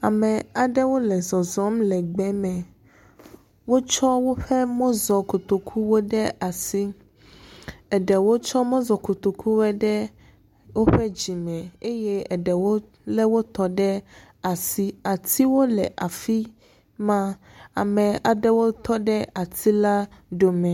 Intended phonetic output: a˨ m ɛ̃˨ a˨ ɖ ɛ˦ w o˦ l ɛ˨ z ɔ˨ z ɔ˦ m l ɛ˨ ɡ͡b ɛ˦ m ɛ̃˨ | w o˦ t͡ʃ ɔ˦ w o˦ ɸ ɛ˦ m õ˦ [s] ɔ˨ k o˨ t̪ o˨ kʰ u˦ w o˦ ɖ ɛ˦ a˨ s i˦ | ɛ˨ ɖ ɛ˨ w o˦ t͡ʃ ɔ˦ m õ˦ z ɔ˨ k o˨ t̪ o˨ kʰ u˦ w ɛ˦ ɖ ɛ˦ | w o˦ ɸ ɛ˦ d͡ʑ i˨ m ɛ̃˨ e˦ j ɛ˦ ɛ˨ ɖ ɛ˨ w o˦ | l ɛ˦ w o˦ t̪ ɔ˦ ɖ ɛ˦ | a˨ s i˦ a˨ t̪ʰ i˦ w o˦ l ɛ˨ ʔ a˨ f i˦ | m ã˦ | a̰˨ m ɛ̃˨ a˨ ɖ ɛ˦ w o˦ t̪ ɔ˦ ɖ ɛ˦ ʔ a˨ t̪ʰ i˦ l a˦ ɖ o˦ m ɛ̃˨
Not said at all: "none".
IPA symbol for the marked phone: z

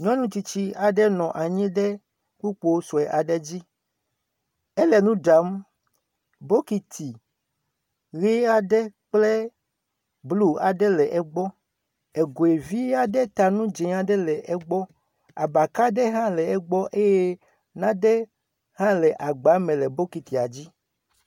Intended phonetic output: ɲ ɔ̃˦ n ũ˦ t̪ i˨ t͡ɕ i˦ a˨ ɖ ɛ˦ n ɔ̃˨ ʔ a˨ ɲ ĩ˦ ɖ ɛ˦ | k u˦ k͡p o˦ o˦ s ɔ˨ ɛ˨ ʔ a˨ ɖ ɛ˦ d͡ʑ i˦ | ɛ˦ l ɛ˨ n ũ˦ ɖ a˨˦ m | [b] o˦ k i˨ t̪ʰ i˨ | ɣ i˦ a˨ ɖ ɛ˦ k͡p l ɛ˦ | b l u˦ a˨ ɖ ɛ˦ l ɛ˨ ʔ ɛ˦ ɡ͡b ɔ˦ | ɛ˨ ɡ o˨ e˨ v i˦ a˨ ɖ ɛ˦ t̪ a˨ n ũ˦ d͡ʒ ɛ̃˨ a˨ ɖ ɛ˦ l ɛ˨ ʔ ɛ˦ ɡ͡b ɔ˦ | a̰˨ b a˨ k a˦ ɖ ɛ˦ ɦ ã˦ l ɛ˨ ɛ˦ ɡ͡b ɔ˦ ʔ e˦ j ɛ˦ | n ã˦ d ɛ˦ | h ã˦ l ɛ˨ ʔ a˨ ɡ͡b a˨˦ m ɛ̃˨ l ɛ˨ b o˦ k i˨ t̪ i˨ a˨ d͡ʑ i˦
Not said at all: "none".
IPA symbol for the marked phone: b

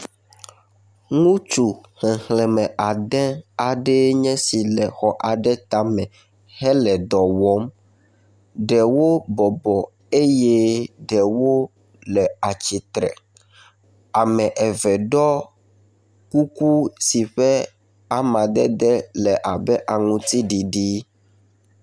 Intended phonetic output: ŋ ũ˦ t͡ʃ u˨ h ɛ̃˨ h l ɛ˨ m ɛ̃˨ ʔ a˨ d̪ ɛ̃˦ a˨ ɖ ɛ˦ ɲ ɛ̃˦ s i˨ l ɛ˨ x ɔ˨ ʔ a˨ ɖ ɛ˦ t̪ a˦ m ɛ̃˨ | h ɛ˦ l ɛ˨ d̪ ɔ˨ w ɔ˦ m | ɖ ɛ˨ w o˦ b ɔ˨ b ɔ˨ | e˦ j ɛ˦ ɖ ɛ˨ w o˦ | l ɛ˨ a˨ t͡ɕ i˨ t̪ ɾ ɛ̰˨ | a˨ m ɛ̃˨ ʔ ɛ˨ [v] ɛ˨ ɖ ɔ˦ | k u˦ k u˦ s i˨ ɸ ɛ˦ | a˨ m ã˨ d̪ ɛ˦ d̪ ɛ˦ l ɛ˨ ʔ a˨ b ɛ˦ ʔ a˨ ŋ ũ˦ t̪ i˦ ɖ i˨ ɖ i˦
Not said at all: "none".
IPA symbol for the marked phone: v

